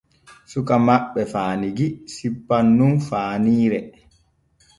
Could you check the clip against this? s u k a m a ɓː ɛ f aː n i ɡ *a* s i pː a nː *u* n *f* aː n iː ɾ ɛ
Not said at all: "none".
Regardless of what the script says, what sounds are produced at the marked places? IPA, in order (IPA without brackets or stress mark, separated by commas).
i, u, f